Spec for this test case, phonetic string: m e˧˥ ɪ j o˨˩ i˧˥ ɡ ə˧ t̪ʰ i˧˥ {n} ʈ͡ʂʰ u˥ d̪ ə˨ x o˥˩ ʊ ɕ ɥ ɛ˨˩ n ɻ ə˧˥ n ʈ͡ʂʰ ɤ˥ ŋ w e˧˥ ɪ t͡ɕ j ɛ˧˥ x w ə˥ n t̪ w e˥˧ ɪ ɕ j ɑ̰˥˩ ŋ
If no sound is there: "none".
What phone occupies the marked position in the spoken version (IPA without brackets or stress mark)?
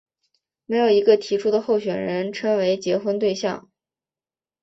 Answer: none